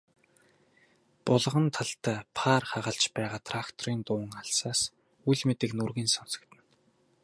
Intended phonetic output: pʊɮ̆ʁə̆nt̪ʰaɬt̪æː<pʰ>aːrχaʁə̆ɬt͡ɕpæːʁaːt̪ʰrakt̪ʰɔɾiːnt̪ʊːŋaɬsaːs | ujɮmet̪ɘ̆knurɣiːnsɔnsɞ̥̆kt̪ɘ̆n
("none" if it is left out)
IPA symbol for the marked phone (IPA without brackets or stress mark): pʰ